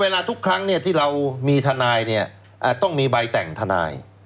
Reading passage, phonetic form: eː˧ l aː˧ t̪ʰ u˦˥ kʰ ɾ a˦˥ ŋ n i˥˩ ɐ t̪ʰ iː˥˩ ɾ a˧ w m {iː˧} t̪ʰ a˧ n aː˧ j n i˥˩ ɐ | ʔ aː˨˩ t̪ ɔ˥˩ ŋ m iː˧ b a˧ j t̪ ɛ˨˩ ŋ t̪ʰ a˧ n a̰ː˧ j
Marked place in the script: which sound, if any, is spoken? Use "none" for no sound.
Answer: iː˧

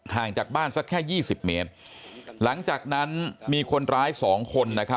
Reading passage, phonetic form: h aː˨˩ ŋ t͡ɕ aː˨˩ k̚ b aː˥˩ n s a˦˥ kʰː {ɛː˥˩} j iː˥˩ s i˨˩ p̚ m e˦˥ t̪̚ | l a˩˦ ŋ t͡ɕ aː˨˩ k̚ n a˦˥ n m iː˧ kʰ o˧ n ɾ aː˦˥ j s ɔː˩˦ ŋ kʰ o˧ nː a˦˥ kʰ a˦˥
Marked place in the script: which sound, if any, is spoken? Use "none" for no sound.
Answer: ɛː˥˩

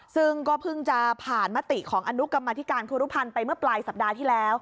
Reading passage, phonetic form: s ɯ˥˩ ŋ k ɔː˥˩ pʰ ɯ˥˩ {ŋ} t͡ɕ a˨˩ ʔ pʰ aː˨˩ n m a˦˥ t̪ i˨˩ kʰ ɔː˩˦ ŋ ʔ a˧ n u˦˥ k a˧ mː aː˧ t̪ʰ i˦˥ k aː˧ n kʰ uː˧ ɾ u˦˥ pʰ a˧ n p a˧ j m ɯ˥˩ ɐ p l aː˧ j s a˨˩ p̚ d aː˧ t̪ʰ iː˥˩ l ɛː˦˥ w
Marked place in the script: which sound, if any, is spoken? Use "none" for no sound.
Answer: ŋ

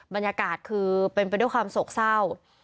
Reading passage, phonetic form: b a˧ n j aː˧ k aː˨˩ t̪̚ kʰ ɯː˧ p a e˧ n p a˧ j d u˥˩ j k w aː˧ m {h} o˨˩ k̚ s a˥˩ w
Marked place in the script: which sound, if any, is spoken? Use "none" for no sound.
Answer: s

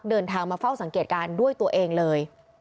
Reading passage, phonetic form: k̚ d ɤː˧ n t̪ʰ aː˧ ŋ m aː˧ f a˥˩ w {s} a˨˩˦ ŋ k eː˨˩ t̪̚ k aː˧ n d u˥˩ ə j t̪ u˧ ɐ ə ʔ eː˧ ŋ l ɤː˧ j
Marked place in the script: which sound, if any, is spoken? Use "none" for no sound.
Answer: s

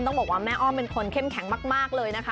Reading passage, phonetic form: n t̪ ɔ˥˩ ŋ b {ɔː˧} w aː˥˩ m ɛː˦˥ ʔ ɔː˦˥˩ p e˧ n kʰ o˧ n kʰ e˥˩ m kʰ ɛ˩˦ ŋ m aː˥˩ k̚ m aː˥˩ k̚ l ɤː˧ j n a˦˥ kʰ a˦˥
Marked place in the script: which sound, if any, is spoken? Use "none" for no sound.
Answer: ɔː˨˩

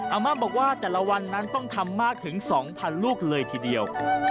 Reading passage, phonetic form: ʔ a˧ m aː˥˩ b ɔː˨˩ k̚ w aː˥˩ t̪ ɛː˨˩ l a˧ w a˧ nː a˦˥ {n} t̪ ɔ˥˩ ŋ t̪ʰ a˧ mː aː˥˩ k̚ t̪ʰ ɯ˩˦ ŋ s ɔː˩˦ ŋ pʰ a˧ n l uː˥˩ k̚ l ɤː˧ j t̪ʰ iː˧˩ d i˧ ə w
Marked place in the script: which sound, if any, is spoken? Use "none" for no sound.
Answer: n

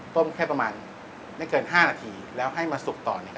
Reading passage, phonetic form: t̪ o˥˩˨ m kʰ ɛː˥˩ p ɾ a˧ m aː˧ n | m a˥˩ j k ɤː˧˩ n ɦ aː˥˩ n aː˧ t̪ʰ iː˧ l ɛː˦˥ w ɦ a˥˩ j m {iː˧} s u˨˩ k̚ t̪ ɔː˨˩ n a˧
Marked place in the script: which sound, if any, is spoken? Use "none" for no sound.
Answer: aː˧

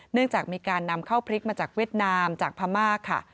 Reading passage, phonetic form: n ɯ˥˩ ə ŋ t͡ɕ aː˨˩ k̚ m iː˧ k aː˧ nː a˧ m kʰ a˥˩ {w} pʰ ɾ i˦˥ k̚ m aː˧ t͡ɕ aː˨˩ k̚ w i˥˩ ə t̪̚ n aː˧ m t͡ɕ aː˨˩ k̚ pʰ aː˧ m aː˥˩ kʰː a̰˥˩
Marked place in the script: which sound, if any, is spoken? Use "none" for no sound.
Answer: w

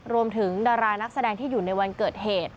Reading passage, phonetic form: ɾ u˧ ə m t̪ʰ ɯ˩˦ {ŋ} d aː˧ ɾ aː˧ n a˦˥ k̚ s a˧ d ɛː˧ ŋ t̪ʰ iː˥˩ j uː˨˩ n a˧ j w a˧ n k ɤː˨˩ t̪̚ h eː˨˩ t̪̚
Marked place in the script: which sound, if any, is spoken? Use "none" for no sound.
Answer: ŋ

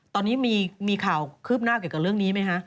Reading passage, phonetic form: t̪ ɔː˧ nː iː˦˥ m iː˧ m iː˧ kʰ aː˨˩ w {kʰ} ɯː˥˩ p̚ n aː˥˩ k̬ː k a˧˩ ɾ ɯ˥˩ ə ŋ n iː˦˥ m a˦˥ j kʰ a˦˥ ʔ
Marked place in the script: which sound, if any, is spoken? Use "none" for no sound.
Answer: kʰ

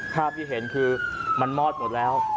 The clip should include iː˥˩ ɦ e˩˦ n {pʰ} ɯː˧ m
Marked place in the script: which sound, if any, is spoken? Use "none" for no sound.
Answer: kʰ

